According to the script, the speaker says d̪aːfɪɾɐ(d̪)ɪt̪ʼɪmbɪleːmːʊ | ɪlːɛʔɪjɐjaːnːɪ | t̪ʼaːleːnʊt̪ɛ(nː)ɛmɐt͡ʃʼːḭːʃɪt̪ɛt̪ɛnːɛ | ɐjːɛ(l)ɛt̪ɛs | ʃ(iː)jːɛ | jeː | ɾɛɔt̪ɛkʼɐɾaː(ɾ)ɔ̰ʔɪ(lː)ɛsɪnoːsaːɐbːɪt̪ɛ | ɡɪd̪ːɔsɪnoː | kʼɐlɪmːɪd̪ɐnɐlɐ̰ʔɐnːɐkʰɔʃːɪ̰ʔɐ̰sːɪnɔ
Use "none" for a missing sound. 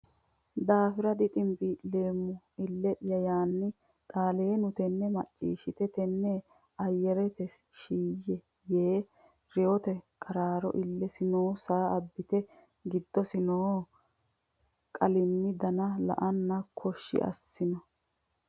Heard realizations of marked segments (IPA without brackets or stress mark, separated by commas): d̪, nː, ɾ, iː, ɾ, lː